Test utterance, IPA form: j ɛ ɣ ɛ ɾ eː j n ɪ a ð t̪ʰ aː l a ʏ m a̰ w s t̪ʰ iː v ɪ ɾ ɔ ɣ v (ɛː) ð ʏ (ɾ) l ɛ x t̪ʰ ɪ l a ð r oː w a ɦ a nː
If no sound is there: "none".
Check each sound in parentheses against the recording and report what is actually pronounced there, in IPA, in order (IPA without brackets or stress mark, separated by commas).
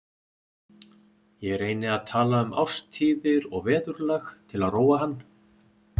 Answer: ɛː, ɾ